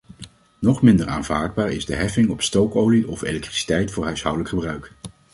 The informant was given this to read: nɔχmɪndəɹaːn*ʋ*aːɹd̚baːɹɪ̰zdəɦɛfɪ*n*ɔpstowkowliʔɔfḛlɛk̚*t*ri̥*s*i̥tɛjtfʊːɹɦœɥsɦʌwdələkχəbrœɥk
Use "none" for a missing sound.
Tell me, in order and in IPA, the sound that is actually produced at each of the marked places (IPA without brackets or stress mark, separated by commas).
v, ŋ, t, s